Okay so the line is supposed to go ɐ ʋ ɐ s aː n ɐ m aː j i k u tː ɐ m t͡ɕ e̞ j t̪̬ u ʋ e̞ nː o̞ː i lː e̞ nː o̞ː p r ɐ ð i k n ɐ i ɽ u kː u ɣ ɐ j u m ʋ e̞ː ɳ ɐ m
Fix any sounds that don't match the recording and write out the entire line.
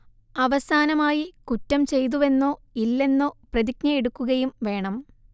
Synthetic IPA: ɐ ʋ ɐ s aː n ɐ m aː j i k u tː ɐ m t͡ɕ e̞ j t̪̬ u ʋ e̞ nː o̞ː i lː e̞ nː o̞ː p r ɐ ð i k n ɐ e ɽ u kː u ɣ ɐ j u m ʋ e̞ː ɳ ɐ m